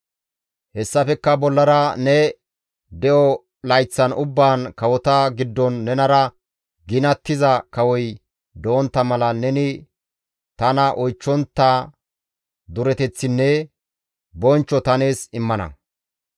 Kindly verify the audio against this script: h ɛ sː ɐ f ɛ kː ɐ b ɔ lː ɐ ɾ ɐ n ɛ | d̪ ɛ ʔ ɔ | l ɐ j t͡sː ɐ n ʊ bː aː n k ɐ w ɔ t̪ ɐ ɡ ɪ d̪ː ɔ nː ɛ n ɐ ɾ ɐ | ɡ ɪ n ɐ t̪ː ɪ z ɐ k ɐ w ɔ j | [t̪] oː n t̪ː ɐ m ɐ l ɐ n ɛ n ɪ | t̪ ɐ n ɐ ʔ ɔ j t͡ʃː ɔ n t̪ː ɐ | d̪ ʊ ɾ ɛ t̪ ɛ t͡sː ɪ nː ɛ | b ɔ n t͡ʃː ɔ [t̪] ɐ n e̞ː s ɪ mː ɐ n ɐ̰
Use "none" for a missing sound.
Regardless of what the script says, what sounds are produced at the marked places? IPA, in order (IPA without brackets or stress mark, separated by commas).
d̪, t̪